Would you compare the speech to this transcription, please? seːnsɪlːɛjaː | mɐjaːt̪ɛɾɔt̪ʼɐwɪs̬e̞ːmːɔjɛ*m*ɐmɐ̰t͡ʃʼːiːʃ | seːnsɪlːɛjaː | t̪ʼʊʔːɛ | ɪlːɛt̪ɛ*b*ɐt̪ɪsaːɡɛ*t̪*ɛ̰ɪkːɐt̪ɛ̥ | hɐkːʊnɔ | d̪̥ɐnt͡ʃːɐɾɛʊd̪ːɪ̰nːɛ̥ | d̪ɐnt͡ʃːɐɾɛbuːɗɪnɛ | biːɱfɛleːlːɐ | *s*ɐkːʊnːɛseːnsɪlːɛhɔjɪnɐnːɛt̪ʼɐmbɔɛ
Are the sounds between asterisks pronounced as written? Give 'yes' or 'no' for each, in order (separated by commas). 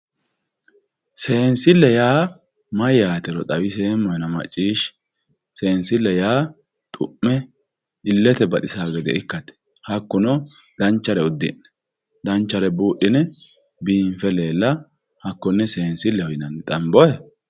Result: no, yes, no, no